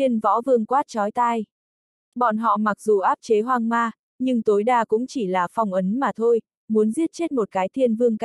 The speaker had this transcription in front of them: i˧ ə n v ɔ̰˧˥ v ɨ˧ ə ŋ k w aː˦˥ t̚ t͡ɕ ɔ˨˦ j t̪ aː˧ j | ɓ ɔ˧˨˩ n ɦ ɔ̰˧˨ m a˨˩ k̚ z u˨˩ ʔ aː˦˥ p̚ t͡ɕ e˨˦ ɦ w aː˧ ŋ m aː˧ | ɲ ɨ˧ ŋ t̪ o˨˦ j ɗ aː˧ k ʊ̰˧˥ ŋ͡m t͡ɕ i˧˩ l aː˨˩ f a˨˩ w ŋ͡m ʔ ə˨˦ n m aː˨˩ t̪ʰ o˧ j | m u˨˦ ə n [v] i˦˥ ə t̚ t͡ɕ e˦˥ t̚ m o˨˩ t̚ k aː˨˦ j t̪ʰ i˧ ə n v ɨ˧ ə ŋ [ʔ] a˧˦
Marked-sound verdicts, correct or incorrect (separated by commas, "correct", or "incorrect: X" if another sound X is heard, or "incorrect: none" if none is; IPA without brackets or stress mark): incorrect: z, incorrect: k